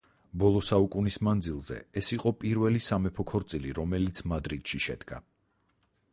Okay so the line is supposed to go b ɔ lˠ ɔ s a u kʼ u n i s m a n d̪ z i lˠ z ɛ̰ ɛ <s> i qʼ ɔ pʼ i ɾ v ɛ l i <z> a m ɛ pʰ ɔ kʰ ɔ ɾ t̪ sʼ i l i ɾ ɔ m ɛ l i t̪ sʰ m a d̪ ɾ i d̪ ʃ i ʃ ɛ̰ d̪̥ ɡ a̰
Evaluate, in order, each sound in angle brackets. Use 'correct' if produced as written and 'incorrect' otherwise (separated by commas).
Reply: correct, incorrect